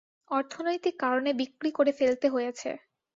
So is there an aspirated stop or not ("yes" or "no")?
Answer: yes